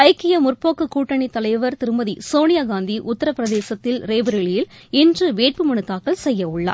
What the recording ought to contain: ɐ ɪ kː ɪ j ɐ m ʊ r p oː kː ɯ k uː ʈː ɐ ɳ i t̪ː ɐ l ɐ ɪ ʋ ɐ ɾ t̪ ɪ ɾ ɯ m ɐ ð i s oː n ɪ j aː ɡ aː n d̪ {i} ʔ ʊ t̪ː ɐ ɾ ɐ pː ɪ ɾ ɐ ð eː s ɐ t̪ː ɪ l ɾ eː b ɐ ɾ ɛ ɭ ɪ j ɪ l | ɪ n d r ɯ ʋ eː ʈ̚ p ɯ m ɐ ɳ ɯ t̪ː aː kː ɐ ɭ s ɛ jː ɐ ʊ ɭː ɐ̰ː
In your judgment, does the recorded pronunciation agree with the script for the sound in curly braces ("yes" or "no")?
yes